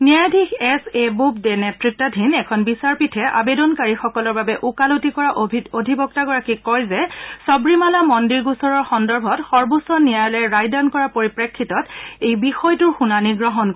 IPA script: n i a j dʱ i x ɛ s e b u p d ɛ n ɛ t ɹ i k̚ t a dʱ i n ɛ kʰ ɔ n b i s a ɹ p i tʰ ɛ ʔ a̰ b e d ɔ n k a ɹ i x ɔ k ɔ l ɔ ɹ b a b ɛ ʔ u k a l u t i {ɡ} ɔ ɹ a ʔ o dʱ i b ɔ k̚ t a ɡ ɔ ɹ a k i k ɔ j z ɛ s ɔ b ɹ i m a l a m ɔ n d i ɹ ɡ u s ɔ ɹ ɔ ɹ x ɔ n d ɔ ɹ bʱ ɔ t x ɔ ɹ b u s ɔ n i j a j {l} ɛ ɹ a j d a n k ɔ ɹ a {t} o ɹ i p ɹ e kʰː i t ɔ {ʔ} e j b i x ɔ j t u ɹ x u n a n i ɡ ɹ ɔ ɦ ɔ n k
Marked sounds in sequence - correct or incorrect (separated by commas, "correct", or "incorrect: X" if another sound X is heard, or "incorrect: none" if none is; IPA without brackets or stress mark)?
incorrect: k, correct, incorrect: p, incorrect: t